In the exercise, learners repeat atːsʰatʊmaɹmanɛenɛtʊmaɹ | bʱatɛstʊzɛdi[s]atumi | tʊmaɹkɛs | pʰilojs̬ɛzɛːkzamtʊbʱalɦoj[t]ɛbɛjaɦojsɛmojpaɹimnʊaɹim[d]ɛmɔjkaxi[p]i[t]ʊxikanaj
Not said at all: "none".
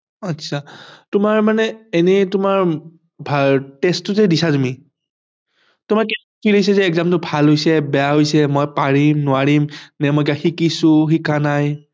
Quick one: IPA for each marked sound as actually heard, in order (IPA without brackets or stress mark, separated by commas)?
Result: s, s, n, k, s